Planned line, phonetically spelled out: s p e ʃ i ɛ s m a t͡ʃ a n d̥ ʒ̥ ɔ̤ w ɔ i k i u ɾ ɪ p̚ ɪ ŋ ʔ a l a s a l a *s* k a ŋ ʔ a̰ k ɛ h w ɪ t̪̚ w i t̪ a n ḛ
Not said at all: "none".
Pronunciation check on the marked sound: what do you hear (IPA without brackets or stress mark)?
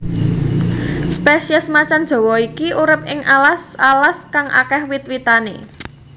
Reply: s